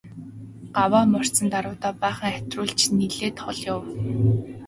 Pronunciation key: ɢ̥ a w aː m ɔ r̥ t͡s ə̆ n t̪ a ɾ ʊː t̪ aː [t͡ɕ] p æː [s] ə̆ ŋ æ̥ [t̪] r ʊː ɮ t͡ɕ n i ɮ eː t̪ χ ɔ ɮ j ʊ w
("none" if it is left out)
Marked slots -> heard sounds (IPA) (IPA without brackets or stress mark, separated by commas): none, χ, t̪